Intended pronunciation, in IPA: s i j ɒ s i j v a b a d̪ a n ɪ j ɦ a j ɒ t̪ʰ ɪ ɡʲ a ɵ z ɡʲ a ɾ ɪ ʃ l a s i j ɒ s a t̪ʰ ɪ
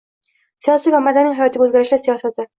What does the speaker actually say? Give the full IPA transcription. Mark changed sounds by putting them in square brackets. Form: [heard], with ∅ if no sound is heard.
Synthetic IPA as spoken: s i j ɒ s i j v a [m] a d̪ a n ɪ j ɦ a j ɒ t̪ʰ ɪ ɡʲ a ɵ z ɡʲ a ɾ ɪ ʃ l a s i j ɒ s a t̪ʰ ɪ

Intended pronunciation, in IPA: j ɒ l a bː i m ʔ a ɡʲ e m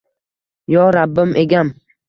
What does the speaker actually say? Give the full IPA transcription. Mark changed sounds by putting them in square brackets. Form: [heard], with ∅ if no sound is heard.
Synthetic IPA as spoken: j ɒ [ɾ] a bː [ɪ] m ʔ [e] ɡʲ [a] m

